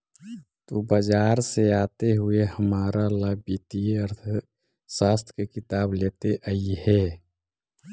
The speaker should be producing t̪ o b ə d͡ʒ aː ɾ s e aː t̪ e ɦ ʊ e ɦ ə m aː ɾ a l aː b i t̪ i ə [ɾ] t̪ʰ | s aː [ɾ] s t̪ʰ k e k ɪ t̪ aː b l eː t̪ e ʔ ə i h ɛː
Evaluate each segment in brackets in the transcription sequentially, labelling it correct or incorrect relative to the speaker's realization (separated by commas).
correct, incorrect